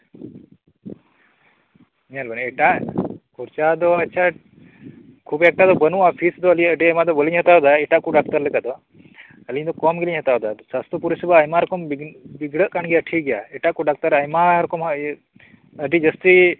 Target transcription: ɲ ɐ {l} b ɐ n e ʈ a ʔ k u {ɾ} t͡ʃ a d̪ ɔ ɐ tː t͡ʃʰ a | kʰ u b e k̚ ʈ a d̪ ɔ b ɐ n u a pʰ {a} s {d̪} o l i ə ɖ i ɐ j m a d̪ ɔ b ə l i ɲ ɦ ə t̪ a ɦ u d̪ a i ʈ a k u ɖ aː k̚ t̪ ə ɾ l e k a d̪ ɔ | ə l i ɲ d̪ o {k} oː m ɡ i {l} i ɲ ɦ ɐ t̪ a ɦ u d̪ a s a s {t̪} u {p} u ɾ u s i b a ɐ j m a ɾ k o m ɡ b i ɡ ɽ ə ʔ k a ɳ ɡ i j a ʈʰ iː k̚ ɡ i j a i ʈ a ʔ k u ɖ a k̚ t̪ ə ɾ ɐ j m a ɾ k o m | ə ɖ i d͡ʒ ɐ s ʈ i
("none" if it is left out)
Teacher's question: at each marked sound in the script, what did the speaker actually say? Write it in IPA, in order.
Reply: l, ɾ, i, d̪, k, l, t̪, p

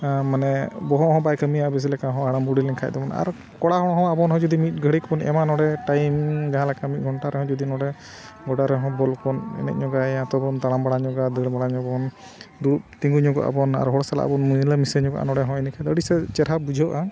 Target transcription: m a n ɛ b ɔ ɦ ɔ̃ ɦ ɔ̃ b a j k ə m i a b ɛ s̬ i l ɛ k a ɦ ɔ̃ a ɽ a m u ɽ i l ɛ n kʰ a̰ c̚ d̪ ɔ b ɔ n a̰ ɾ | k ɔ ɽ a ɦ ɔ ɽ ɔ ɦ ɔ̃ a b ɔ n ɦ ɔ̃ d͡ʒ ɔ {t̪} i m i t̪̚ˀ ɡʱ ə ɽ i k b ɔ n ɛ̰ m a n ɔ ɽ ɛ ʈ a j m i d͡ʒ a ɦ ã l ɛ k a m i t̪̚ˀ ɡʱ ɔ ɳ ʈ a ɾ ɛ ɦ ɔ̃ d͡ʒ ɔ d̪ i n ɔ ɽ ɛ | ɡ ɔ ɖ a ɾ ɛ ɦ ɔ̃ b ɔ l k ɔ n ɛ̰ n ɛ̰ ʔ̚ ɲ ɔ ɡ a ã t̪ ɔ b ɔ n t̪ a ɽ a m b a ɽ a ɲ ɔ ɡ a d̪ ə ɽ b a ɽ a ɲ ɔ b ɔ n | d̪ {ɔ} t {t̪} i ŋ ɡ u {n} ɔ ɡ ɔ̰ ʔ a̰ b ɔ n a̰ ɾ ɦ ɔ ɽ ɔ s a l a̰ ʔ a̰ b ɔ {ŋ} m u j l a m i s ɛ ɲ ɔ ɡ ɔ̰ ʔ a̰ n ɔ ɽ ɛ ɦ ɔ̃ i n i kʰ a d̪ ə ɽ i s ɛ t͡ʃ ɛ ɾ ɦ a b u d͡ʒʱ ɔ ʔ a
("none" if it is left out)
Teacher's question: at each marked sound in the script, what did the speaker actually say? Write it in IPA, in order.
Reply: d̪, u, t̪, ɲ, n

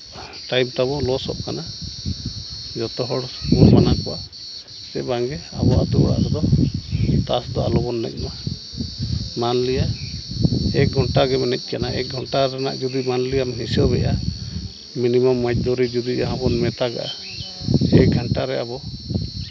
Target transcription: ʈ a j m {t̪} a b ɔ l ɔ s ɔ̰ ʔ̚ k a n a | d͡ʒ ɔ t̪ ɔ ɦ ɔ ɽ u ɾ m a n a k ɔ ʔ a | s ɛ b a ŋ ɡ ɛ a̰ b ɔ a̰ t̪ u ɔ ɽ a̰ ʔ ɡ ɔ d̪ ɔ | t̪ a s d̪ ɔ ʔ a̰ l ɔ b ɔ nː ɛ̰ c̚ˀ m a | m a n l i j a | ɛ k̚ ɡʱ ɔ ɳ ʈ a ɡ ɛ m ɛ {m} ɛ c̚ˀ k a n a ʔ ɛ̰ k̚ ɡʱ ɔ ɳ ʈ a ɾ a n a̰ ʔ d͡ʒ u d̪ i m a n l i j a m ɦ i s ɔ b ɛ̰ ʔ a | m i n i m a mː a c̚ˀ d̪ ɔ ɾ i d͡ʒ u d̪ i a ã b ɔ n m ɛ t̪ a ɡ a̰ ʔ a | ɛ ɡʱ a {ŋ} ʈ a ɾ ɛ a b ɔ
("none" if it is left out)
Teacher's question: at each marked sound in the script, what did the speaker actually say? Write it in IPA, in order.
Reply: t̪, n, ɳ

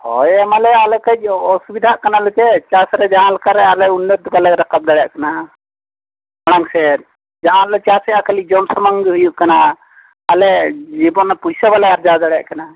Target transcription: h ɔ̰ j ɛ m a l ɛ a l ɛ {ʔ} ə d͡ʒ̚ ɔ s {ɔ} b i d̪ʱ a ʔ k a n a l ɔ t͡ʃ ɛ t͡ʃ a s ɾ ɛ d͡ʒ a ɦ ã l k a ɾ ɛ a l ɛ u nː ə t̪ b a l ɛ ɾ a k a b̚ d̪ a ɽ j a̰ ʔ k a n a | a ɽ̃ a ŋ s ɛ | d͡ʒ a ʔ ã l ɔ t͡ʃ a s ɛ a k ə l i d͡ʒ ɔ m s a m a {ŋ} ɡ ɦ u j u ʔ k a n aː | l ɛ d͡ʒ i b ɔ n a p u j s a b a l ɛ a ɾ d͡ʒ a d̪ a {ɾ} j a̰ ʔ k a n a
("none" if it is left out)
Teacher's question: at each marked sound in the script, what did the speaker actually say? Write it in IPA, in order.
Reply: k, u, ŋ, ɽ

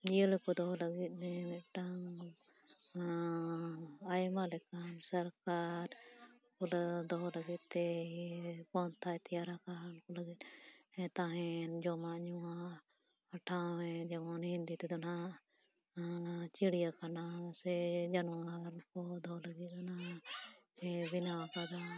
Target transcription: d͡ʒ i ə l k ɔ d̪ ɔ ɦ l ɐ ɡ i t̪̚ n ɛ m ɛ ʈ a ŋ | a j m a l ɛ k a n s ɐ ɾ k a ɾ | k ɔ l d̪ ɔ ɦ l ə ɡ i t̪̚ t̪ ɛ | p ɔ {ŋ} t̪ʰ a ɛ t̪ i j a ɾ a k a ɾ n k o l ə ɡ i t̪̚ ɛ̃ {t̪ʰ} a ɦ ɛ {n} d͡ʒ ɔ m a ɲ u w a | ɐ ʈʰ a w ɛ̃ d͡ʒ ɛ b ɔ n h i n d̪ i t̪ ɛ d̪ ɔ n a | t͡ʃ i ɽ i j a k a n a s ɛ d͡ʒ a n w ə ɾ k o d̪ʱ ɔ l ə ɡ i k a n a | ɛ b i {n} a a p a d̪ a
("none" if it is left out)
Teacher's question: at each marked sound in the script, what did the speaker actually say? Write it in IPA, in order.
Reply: n, t̪, n, n

